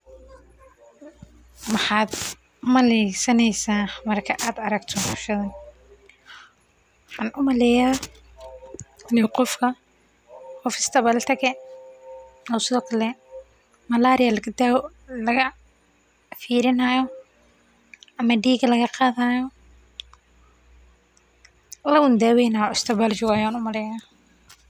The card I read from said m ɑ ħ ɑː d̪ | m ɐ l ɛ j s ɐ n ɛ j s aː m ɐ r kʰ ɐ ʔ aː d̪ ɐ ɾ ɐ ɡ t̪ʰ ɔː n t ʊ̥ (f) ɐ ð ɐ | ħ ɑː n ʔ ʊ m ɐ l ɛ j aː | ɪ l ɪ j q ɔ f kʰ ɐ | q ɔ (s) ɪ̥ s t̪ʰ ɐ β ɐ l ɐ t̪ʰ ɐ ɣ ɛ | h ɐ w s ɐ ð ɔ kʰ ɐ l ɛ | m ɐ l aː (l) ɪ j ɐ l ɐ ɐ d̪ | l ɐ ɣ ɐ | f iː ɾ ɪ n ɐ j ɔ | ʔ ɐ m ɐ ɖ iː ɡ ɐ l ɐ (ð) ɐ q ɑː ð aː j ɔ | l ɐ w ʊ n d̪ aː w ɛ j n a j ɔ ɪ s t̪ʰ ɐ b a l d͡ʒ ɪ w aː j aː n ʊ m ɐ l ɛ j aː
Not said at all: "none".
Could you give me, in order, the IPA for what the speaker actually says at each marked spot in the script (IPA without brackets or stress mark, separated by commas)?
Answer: ʃ, f, ɾ, ɣ